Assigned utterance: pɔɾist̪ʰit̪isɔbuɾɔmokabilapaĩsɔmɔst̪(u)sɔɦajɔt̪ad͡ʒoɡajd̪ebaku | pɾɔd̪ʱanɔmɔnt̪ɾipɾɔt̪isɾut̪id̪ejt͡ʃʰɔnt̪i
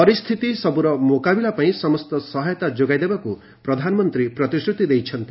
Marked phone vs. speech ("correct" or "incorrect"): incorrect